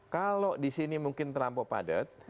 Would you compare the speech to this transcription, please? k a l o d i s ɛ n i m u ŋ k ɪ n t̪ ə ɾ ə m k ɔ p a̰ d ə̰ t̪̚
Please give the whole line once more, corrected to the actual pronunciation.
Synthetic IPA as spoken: k a l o d i s i n i m u ŋ k ɪ n t̪ ə ɾ a m p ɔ p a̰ d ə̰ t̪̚